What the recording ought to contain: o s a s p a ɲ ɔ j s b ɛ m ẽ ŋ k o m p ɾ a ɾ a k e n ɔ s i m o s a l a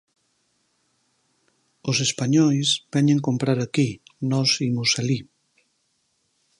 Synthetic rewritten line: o s e s p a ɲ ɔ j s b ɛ ɲ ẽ ŋ k o m p ɾ a ɾ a k i n ɔ s i m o s a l i